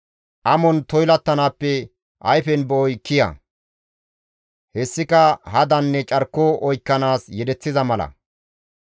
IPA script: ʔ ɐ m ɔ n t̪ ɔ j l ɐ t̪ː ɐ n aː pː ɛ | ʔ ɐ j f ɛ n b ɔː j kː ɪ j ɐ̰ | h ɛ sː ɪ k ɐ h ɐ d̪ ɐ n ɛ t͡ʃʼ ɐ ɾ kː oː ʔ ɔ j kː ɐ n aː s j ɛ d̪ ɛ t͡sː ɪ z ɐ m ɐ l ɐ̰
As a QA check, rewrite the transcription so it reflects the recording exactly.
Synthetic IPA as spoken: ʔ ɐ m ɔ n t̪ ɔ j l ɐ t̪ː ɐ n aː pː ɛ | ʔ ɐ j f ɛ n b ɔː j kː ɪ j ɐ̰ | h ɛ sː ɪ k ɐ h ɐ d̪ ɐ nː ɛ t͡ʃʼ ɐ ɾ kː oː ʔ ɔ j kː ɐ n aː s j ɛ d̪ ɛ t͡sː ɪ z ɐ m ɐ l ɐ̰

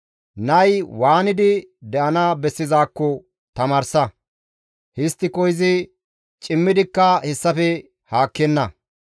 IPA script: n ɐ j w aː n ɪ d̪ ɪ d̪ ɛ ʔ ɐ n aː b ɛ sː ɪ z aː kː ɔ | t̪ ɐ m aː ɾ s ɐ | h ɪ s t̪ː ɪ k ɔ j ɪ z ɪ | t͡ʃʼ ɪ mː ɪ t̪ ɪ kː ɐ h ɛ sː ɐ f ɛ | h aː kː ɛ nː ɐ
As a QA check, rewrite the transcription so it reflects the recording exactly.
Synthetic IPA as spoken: n ɐ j w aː n ɪ d̪ ɪ d̪ ɛ ʔ ɐ n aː b ɛ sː ɪ z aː kː ɔ | t̪ ɐ m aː ɾ s ɐ | h ɪ s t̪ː ɪ k ɔ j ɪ z ɪ | t͡ʃʼ ɪ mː ɪ d̪ ɪ kː ɐ h ɛ sː ɐ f ɛ | h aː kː ɛ nː ɐ

